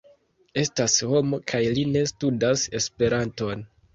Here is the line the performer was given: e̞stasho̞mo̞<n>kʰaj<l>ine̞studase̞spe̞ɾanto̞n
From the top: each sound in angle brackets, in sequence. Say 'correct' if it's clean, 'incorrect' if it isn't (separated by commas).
incorrect, correct